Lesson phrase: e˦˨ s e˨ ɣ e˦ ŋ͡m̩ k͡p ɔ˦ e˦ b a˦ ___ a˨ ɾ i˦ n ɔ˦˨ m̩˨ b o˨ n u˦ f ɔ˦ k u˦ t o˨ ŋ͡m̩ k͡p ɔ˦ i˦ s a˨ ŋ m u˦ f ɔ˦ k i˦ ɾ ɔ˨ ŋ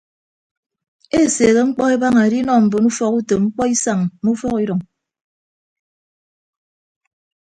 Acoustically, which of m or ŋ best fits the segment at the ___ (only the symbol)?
ŋ